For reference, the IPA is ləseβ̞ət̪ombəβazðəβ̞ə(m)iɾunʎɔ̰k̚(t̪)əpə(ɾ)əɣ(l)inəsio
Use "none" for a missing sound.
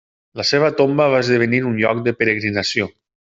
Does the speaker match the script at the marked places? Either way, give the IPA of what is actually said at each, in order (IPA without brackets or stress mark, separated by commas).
n, d̪, ɾ, ɾ